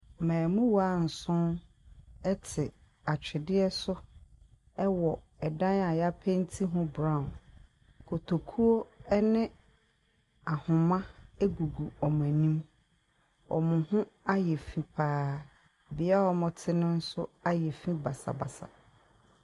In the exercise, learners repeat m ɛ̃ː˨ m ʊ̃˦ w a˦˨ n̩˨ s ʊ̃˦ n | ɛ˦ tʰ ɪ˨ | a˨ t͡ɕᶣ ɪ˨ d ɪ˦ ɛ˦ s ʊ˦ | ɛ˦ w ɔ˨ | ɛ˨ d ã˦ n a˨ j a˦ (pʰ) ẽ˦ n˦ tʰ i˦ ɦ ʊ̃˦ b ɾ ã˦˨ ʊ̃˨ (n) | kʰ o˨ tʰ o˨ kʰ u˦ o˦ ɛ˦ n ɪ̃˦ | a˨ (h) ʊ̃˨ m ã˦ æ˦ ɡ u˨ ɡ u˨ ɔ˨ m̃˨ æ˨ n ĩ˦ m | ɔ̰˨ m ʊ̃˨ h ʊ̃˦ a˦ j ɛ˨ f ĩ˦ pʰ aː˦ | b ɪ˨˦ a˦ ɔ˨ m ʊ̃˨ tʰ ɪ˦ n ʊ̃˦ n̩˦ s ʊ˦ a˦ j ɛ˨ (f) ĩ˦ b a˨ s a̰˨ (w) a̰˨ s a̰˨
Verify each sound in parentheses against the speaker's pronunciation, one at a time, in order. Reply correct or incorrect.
correct, correct, correct, correct, incorrect: b

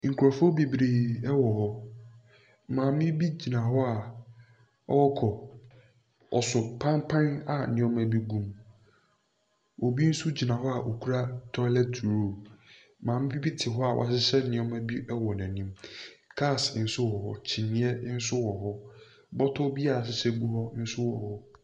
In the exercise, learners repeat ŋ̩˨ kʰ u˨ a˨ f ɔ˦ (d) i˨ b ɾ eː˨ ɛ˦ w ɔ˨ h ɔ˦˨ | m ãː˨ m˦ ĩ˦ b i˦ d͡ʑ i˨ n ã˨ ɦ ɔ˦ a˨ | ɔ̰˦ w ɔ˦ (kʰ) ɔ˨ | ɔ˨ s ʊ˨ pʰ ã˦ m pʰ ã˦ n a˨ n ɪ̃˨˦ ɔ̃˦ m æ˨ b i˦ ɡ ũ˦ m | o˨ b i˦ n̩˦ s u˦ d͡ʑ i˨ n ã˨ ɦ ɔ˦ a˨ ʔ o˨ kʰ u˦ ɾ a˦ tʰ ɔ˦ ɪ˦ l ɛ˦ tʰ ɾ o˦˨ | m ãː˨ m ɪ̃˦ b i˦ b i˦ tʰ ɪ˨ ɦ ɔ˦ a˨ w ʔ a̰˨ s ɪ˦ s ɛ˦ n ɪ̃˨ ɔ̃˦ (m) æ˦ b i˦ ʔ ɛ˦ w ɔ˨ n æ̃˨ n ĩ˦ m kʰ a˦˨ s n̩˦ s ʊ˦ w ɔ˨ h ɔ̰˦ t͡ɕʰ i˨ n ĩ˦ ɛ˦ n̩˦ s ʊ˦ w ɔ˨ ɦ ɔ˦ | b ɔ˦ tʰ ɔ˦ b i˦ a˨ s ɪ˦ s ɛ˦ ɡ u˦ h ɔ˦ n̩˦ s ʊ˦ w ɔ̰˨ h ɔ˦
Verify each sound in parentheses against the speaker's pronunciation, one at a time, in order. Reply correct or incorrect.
incorrect: b, correct, correct

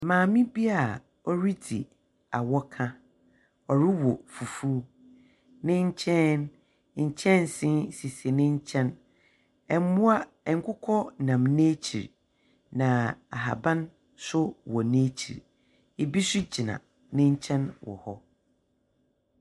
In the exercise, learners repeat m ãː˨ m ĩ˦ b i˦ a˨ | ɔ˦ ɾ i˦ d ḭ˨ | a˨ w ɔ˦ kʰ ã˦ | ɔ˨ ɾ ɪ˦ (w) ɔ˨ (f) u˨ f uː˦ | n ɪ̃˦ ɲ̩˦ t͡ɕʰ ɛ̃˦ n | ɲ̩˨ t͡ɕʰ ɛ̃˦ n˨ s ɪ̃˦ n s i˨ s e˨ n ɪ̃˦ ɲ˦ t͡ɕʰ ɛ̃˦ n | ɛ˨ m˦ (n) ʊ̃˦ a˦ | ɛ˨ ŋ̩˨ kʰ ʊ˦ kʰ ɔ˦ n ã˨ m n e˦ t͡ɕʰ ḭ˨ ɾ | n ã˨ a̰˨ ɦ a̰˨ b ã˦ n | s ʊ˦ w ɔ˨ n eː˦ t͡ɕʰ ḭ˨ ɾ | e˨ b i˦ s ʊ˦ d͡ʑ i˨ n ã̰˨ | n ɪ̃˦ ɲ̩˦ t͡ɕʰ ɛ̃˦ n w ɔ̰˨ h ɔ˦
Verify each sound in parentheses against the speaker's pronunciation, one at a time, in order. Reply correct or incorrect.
correct, correct, incorrect: m

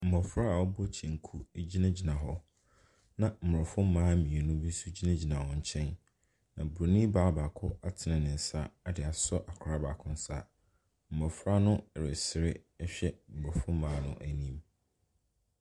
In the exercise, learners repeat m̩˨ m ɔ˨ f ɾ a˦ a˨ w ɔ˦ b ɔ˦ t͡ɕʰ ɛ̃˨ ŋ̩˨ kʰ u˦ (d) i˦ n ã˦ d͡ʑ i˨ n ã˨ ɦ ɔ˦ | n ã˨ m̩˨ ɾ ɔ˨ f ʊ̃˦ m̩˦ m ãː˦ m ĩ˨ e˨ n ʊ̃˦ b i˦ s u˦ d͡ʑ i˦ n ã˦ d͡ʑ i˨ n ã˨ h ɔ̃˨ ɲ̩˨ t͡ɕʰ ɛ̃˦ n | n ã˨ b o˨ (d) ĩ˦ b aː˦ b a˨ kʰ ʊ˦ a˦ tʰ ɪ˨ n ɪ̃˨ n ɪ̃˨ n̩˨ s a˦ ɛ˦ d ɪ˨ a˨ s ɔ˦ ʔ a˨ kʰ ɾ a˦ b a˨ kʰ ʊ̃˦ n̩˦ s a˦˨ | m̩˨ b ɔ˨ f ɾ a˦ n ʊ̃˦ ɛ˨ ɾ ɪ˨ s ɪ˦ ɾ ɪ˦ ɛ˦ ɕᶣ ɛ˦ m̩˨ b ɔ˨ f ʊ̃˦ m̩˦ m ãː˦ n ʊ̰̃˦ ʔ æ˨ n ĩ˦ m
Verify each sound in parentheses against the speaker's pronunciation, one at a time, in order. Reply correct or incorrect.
incorrect: d͡ʑ, incorrect: n

